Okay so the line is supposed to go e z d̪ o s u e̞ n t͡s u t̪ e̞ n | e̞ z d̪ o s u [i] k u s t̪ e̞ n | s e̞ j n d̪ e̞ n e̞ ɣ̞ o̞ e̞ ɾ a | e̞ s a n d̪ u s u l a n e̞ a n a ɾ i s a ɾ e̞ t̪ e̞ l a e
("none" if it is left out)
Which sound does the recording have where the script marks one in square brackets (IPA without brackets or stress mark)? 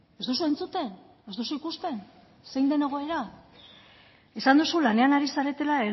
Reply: i